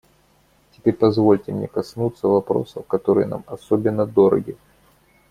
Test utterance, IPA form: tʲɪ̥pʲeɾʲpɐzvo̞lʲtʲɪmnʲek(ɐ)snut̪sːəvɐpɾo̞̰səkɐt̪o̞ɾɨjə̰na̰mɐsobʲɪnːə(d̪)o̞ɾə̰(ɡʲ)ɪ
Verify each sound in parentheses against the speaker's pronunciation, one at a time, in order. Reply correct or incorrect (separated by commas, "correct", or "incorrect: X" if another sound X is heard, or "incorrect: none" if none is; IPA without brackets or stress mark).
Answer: correct, correct, correct